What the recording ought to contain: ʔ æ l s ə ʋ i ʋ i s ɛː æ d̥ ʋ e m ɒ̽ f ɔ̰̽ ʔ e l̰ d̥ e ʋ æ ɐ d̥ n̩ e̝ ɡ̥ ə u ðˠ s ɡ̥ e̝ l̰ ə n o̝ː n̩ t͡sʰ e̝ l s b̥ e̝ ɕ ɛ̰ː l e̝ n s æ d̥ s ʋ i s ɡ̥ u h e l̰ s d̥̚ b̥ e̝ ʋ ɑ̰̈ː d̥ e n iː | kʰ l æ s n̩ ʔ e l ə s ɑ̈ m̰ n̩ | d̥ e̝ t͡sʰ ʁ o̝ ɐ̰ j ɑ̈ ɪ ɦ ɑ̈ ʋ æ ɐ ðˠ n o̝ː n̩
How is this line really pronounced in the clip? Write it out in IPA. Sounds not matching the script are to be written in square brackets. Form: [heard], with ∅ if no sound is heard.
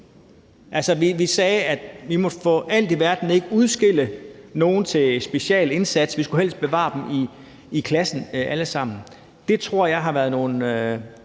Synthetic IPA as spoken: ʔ æ l s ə ʋ i ʋ i s ɛː æ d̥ ʋ [i] m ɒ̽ f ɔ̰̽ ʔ [æ] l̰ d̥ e ʋ æ ɐ d̥ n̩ e̝ ɡ̥ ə u ðˠ s ɡ̥ e̝ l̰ ə n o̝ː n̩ t͡sʰ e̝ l s b̥ e̝ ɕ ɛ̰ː l e̝ n s æ d̥ s ʋ i s ɡ̥ u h e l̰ s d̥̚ b̥ e̝ ʋ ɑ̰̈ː d̥ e [m] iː | kʰ l æ s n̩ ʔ [æ] l ə s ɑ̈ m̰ n̩ | d̥ e̝ t͡sʰ ʁ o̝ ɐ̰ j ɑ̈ ɪ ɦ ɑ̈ ʋ æ ɐ ðˠ n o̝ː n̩